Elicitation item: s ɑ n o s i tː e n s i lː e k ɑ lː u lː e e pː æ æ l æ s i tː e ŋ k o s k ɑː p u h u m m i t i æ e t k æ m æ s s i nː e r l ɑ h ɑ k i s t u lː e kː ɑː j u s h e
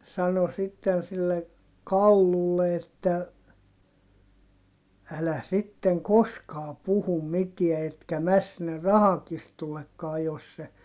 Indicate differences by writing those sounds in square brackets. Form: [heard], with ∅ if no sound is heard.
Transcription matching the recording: s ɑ n o s i tː e n s i lː e k ɑ lː u lː e e [tː] æ æ l æ s i tː e ŋ k o s k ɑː p u h u m m i t i æ e t k æ m æ s s i nː e r [r] ɑ h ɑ k i s t u lː e kː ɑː j [o] s [s] e